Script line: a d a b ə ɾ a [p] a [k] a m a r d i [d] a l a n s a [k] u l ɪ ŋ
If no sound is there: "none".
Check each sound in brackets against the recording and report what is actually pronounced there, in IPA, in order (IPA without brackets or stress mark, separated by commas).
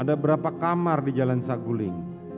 p, k, d͡ʒ, ɡ